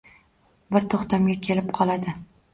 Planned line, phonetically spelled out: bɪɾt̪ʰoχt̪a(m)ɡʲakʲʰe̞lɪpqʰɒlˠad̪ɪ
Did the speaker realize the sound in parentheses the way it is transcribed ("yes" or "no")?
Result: yes